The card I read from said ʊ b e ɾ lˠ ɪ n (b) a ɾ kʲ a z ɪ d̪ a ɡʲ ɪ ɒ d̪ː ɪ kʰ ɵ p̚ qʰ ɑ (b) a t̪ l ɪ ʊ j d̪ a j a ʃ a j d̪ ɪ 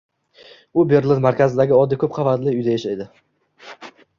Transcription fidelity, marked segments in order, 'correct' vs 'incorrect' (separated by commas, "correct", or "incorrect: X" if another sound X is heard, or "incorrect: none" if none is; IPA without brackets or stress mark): incorrect: m, incorrect: v